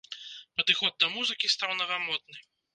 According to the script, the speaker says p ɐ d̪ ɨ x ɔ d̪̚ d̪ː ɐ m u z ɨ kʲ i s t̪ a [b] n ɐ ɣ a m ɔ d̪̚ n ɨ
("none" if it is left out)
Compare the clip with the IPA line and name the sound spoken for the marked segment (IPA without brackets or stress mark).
w